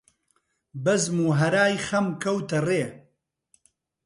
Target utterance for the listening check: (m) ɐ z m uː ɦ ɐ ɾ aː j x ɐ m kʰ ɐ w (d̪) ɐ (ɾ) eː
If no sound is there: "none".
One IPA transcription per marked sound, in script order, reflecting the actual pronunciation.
b, t̪, r

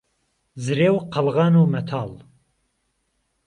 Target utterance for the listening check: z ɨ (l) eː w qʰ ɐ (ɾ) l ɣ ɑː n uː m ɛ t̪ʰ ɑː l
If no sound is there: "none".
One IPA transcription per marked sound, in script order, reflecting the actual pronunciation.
ɾ, none

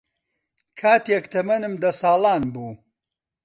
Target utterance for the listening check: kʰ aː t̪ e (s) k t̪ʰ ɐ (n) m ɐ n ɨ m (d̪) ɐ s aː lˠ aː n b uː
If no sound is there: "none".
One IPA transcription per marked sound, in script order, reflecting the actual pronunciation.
none, none, d̪

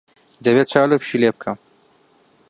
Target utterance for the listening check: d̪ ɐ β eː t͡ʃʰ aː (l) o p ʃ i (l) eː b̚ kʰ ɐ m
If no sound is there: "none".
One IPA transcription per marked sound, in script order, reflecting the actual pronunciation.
l, l

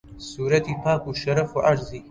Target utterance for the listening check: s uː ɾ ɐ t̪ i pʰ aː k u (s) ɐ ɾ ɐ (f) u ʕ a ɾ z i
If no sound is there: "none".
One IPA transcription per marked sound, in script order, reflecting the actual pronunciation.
ʃ, f

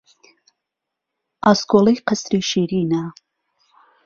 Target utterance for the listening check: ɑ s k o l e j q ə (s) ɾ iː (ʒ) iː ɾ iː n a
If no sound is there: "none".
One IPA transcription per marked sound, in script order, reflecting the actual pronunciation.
s, ʃ

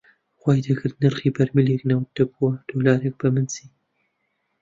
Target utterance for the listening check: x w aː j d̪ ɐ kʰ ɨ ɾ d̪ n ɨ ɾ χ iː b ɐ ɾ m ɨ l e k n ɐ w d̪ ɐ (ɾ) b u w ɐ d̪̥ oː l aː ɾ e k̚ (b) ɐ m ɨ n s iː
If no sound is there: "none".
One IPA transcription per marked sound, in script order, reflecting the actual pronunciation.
none, b

